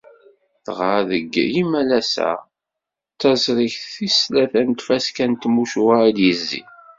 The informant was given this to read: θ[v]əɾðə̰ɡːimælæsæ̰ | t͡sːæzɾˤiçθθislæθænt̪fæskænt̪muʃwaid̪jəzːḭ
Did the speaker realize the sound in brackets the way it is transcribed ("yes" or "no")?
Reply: no